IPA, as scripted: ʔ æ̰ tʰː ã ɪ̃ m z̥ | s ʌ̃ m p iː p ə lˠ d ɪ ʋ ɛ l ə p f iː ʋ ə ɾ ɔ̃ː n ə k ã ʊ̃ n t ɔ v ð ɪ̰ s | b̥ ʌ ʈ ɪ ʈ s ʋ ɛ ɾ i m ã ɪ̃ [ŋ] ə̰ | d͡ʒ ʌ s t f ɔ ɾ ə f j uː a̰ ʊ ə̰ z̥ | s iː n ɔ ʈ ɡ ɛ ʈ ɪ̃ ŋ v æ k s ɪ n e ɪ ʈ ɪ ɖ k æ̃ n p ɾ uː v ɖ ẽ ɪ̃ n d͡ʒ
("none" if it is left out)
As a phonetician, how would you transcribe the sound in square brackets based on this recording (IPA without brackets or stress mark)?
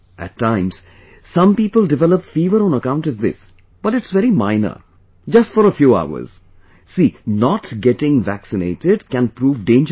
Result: n